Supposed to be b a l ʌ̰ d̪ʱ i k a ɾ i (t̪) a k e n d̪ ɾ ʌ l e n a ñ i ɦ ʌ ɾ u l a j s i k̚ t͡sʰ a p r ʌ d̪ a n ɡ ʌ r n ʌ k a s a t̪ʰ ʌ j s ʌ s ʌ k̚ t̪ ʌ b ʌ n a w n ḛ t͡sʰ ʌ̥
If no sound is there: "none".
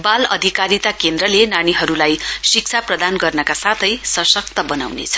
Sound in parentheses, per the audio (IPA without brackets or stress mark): t̪